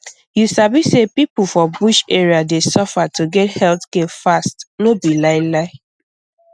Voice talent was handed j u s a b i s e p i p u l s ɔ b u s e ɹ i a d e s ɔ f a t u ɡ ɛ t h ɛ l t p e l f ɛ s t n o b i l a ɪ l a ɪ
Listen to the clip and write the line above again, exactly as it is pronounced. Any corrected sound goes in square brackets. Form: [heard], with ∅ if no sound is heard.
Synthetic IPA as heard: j u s a b i s e p i p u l [f] ɔ b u [ʃ] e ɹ i a d e s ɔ f a t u ɡ ɛ t h ɛ l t [k] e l f [a] s t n o b i l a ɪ l a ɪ

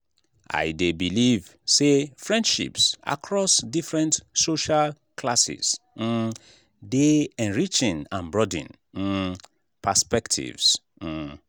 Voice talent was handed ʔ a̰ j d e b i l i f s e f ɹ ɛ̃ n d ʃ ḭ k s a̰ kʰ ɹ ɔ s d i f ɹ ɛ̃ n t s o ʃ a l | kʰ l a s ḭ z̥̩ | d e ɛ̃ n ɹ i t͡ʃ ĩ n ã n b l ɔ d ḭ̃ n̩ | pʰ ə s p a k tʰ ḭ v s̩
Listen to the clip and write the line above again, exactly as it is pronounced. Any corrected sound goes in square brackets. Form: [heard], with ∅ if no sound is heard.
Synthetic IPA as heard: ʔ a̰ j d e b i l i [v] s e f ɹ ɛ̃ n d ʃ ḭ [p] s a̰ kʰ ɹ ɔ s d i f ɹ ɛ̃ n t s o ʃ a l | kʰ l a s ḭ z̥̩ | d e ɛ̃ n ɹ i t͡ʃ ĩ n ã n b [ɹ] ɔ d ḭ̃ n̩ | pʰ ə s p [ɛ] k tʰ ḭ v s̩

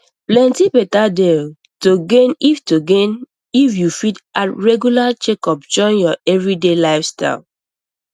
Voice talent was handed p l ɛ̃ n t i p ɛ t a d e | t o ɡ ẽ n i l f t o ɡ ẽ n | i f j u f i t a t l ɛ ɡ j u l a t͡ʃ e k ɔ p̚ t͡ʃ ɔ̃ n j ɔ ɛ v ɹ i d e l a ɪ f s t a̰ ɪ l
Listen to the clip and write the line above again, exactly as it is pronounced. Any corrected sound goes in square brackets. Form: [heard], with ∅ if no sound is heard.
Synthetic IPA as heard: p l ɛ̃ n t i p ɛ t a d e | t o ɡ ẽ n i [∅] f t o ɡ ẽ n | i f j u f i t a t [ɹ] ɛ ɡ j u l a t͡ʃ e k ɔ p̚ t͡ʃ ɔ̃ n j ɔ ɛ v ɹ i d e l a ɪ f s t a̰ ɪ l

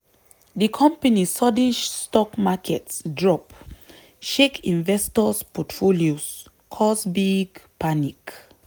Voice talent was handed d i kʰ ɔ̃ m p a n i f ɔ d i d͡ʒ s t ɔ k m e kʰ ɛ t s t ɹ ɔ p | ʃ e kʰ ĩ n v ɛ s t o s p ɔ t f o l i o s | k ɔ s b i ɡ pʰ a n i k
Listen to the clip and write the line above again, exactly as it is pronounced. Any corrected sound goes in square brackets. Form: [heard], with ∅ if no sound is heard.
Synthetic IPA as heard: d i kʰ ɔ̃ m p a n i [s] ɔ d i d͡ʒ s t ɔ k m [a] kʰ ɛ t s [d] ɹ ɔ p | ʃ e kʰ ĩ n v ɛ s t [ɔ] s p ɔ t f o l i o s | [kʰ] ɔ s b i ɡ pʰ a n i k

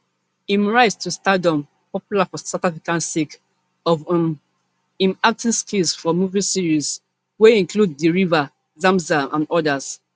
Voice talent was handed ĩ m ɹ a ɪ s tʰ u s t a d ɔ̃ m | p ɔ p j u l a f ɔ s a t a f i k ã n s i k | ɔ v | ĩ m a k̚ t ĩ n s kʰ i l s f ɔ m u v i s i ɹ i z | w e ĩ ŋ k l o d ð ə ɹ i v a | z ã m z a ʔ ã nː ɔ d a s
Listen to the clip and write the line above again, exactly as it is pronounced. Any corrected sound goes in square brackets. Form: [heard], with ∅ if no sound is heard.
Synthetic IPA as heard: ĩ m ɹ a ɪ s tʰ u s t a d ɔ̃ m | p ɔ p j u l a f ɔ s a t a f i k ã n s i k | ɔ v | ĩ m a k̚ t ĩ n s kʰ i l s f ɔ m u v i s i ɹ i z | w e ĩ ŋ k l [u] d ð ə ɹ i v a | z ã m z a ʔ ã [n] ɔ d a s

